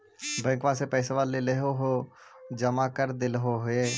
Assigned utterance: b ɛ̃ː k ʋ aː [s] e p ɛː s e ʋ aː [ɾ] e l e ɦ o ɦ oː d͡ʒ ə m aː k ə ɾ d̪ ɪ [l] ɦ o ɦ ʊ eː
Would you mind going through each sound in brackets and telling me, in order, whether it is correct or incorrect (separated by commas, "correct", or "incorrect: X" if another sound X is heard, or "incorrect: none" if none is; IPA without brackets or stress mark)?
correct, incorrect: l, correct